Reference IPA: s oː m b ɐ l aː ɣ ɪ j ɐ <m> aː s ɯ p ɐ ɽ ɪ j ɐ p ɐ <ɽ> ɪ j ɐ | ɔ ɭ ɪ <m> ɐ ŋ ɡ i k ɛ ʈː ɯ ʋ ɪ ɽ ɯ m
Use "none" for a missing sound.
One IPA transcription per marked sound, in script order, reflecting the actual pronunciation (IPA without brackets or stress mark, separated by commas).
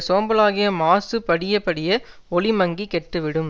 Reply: m, ɽ, m